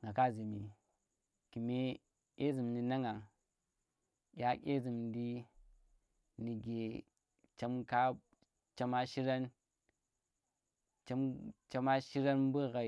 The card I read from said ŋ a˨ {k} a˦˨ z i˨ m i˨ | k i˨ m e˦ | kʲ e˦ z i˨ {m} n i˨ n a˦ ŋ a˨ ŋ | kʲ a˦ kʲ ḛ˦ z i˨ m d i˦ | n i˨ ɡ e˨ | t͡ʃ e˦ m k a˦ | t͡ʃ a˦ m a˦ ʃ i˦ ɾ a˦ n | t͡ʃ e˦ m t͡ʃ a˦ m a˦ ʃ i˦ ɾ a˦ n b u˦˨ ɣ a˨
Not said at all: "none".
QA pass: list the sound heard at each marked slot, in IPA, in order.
k, m

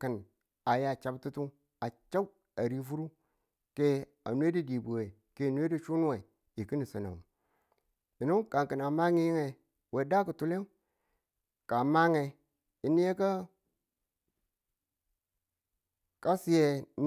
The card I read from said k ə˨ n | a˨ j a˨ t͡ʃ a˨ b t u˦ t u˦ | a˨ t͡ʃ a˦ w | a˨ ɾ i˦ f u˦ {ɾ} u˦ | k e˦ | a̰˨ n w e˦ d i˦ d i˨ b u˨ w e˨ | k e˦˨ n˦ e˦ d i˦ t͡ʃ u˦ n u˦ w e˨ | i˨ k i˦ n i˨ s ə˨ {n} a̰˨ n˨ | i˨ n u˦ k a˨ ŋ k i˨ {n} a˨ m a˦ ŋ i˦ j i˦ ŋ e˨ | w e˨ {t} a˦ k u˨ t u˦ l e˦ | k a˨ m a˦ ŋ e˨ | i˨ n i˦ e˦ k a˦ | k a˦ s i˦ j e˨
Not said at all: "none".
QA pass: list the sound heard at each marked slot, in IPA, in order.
ɾ, n, n, d

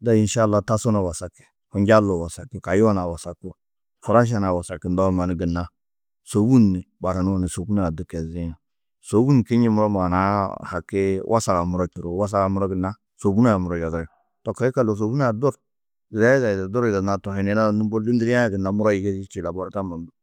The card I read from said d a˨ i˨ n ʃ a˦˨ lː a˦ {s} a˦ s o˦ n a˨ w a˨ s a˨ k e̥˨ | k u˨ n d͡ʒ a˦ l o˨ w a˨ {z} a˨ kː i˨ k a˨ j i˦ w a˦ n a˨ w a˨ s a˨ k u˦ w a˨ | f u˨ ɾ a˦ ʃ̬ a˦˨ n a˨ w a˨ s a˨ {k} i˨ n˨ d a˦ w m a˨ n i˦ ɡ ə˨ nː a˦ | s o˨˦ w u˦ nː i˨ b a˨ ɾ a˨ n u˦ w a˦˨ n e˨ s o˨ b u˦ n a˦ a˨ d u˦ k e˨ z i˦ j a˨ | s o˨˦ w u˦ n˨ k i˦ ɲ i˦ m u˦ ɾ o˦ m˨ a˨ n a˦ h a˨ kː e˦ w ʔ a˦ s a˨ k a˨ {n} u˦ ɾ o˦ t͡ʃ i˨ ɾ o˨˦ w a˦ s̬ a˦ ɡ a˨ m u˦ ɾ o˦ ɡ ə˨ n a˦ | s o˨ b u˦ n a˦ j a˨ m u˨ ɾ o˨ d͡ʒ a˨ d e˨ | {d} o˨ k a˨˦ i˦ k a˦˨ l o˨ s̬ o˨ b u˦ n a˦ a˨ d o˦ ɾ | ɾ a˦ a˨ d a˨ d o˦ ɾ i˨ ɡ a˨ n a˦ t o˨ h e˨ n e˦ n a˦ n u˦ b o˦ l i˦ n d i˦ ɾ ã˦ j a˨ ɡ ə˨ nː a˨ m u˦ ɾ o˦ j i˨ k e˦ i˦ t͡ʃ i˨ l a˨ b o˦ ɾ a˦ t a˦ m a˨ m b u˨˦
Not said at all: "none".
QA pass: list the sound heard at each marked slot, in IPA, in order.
t, s, k, m, t

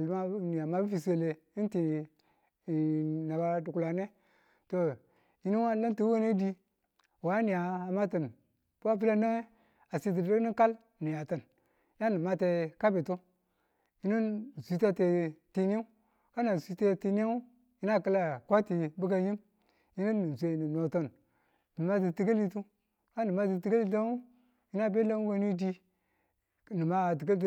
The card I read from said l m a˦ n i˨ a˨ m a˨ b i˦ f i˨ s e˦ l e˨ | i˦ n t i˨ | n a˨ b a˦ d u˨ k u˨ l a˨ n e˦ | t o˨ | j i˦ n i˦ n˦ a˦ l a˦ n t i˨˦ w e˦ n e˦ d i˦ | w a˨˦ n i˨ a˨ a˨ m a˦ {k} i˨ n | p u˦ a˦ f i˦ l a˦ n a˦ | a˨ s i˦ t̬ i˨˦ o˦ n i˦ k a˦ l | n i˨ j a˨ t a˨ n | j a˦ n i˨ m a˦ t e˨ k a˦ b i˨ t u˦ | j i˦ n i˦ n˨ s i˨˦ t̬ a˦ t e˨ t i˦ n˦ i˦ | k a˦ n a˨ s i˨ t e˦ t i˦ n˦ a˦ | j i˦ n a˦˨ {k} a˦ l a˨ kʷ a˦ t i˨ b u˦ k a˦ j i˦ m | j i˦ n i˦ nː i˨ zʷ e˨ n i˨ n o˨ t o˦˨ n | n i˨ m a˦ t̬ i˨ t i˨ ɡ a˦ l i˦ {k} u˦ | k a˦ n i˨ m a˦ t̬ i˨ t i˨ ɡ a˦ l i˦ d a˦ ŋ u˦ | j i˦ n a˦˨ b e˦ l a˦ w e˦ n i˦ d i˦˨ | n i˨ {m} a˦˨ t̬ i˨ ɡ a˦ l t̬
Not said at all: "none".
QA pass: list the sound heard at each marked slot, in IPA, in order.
t, k, t, m

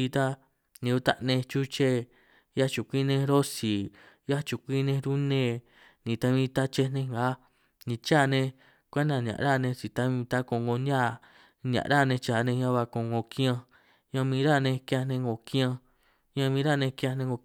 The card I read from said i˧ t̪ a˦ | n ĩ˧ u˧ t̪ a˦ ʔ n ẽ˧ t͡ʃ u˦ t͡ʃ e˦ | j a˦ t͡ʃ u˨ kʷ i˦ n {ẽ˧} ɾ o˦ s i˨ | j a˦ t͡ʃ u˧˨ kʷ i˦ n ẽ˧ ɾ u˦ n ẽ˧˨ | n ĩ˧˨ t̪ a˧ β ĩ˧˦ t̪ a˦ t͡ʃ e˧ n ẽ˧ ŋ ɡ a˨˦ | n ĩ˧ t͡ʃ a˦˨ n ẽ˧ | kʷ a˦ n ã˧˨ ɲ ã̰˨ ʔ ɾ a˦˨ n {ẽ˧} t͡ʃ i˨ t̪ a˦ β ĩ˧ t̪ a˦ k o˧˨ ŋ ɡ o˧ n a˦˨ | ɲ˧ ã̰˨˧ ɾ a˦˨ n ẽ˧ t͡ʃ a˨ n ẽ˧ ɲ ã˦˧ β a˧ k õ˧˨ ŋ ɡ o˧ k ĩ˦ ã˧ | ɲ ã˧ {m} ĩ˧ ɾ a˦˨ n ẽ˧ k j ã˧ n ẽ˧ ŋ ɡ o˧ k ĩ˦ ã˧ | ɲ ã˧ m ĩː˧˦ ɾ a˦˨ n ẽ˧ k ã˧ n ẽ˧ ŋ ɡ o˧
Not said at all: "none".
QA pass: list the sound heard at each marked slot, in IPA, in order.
ẽ˧, ẽ˧, m

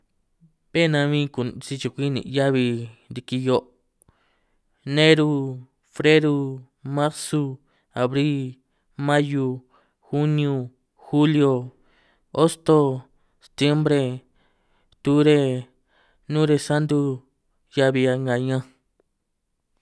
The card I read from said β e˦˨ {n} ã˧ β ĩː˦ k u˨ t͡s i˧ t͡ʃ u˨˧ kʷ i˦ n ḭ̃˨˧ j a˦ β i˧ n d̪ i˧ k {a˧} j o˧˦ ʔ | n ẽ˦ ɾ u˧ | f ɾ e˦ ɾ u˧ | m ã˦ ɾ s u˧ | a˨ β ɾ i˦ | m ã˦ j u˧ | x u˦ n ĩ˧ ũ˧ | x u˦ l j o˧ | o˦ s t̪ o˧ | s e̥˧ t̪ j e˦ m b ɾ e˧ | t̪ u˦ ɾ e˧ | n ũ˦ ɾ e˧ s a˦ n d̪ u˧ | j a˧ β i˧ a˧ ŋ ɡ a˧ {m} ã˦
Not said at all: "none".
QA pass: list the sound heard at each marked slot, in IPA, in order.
n, i˧, ɲ

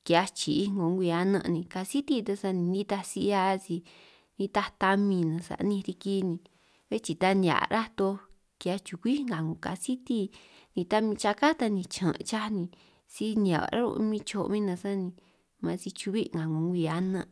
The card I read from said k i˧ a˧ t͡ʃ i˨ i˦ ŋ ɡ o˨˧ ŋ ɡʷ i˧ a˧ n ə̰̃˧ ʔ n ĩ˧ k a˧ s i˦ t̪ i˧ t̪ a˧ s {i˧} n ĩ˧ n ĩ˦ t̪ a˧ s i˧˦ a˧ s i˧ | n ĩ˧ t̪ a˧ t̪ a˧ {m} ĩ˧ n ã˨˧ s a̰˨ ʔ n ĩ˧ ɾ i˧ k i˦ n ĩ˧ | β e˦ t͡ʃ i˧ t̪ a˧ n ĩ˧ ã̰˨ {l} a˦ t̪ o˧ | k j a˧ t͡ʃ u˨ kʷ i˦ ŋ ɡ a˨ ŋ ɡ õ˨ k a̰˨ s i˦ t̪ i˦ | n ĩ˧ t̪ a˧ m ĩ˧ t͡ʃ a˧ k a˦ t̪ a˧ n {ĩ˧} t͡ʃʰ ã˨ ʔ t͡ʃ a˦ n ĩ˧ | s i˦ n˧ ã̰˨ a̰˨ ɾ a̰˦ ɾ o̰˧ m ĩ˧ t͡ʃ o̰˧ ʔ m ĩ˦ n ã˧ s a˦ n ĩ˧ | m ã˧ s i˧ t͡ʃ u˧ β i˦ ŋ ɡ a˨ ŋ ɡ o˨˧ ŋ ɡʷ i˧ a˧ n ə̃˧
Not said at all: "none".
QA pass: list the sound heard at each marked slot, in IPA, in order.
a˧, m, ɾ, ĩ˧

